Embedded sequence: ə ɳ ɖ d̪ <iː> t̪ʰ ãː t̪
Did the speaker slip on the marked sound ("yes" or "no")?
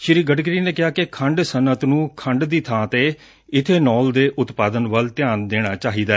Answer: no